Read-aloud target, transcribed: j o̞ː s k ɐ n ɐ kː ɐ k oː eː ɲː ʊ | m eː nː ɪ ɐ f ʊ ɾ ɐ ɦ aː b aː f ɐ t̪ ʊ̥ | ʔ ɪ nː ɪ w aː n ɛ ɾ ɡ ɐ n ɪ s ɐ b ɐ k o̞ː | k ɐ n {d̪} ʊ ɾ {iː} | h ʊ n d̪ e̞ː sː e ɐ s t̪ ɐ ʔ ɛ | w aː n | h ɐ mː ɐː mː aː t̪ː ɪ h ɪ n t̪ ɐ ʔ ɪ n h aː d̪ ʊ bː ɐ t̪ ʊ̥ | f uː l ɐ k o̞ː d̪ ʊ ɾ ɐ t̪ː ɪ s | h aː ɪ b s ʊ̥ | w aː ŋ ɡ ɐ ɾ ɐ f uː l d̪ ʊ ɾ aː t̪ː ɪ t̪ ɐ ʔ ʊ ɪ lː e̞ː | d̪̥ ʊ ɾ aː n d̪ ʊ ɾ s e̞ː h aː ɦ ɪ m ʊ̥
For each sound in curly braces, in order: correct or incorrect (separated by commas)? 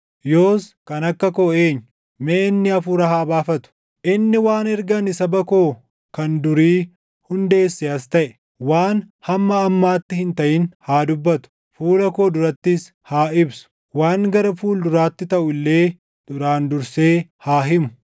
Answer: correct, correct